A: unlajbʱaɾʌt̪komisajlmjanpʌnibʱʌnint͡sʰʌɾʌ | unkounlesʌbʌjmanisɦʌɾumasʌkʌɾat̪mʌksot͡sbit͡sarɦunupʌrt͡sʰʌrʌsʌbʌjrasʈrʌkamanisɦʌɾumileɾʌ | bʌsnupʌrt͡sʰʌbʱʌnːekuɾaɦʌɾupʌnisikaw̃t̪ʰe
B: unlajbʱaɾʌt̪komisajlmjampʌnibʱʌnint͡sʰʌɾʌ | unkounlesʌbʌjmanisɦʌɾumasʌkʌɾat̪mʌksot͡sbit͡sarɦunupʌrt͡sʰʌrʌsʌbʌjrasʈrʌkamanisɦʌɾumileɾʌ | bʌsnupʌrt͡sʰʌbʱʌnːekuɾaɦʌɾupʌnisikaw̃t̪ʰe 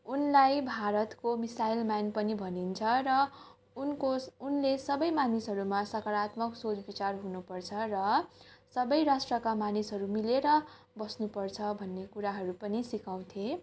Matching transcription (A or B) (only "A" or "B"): A